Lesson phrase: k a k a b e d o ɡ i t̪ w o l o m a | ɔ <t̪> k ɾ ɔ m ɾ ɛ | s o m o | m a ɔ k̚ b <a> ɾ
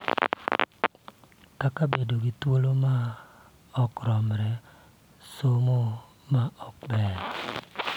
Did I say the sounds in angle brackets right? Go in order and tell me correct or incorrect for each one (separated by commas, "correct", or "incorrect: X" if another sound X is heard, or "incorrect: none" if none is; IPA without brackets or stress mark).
incorrect: none, incorrect: ɛ